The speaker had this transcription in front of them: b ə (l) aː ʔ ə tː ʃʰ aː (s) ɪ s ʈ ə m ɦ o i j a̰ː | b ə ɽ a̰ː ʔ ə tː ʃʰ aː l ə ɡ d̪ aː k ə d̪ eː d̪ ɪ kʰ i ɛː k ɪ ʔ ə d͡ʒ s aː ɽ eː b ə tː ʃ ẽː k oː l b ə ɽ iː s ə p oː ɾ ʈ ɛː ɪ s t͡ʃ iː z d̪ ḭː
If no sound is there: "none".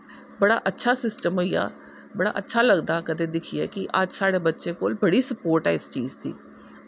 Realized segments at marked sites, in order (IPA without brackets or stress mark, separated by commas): ɽ, s